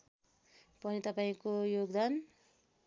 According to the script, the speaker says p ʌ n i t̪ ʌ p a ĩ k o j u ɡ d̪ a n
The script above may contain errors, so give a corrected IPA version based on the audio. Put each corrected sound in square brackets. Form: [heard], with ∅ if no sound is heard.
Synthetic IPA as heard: p ʌ n i t̪ ʌ p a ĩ k o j [o] ɡ d̪ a n